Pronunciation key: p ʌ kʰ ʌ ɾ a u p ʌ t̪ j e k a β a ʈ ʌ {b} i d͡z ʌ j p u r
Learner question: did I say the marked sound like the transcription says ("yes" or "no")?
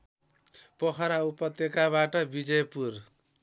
yes